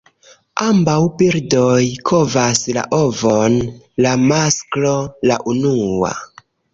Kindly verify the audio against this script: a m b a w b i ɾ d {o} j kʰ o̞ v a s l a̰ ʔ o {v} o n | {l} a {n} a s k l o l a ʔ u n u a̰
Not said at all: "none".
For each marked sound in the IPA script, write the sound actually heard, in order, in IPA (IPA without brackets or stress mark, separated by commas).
o, v, l, m